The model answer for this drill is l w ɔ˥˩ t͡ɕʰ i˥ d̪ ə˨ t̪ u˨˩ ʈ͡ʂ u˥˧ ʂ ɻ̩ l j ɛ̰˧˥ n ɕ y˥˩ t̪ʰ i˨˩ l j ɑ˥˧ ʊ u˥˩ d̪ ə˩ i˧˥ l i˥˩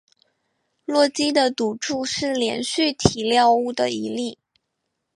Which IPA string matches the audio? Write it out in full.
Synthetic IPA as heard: l w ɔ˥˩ t͡ɕ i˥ d̪ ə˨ t̪ u˨˩ ʈ͡ʂ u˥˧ ʂ ɻ̩ l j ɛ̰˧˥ n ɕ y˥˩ t̪ʰ i˨˩ l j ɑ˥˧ ʊ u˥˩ d̪ ə˩ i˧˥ l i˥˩